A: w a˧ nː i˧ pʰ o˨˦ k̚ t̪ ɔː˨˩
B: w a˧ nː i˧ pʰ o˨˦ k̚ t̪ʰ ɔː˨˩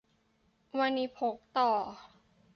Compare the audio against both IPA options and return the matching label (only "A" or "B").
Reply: A